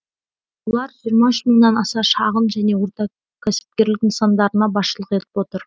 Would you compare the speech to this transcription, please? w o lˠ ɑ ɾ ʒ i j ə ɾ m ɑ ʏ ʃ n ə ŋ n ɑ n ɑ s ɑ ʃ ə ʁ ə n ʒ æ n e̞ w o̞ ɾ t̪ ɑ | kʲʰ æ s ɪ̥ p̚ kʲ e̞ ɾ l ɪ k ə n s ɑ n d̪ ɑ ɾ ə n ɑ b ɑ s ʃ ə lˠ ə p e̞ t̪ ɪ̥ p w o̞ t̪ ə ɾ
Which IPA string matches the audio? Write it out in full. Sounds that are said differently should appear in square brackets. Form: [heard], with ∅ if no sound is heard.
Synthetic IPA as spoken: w o lˠ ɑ ɾ ʒ i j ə ɾ m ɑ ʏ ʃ [m] ə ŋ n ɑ n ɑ s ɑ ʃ [ɑ] ʁ ə n ʒ æ n e̞ w o̞ ɾ t̪ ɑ | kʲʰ æ s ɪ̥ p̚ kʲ e̞ ɾ l ɪ k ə n s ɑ n d̪ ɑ ɾ ə n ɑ b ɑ s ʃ ə lˠ ə [q] e̞ t̪ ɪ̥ p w o̞ t̪ ə ɾ